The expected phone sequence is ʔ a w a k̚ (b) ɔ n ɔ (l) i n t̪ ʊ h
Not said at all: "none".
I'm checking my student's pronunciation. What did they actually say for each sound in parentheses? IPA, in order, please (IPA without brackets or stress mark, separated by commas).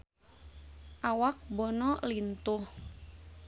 b, l